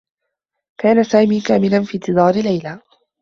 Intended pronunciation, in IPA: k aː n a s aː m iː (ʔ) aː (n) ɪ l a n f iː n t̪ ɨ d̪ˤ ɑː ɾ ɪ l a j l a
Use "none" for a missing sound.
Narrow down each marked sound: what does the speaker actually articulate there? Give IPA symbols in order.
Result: k, m

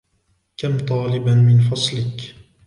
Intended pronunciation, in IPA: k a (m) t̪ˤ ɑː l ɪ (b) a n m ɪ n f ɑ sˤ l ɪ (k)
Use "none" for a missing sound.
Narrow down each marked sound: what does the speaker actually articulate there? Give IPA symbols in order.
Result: m, b, k

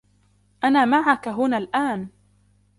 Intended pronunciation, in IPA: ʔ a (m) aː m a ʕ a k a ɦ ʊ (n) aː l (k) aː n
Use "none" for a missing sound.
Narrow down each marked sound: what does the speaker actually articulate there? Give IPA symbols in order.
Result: n, n, ʔ

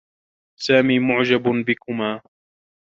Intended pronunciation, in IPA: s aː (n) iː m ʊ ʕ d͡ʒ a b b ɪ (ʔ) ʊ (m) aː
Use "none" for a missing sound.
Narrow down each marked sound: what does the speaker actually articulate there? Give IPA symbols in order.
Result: m, k, m

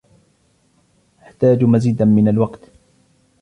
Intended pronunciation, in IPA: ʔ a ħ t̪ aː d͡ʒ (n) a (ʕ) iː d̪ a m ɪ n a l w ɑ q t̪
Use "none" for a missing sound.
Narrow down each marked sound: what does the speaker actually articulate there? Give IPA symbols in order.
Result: m, z

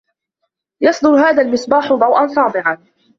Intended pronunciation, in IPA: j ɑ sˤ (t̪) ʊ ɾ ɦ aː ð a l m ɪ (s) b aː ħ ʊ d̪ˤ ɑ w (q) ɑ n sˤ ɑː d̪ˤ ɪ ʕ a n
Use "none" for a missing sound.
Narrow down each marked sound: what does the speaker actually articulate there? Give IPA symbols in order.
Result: d̪, s, ʔ

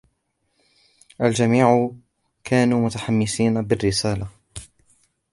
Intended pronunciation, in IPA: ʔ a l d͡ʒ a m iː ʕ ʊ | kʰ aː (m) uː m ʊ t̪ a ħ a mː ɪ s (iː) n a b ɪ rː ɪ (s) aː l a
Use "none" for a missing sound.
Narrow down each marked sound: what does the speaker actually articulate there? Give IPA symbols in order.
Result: n, iː, s

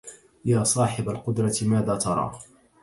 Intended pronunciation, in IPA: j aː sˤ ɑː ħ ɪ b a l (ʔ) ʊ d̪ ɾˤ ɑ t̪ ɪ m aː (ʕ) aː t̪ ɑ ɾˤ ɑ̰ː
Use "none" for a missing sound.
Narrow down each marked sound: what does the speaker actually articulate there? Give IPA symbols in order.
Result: q, ð

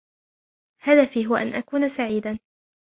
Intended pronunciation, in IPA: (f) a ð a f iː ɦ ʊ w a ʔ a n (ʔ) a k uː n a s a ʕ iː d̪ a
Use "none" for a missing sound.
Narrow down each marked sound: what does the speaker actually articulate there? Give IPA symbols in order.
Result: h, ʔ

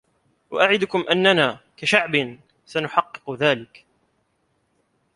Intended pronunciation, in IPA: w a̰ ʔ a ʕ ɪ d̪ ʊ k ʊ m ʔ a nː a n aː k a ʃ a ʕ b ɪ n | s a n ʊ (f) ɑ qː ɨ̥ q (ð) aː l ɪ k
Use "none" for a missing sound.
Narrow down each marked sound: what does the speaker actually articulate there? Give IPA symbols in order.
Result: ħ, ð

